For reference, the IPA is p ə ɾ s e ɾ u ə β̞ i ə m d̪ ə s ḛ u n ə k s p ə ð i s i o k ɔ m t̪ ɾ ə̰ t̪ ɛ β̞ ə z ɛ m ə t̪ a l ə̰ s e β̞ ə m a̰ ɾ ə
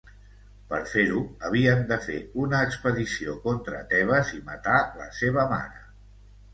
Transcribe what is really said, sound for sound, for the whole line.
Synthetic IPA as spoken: p ə ɾ f e ɾ u ə β̞ i ə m d̪ ə f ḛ u n əː k s p ə ð i s i o k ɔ n t̪ ɾ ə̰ t̪ ɛ β̞ ə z i m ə t̪ a l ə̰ s e β̞ ə m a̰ ɾ ə